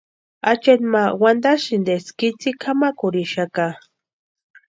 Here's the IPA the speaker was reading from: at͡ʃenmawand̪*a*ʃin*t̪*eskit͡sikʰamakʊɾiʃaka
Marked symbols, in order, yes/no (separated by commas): yes, no